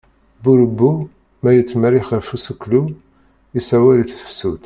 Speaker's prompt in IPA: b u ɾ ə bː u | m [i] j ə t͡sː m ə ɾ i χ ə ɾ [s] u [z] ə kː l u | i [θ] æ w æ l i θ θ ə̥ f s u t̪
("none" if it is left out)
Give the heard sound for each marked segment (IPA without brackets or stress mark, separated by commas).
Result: æ, f, s, s